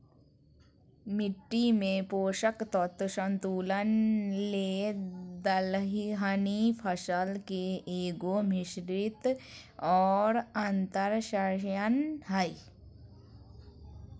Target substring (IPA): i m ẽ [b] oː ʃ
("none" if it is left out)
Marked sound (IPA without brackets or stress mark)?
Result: p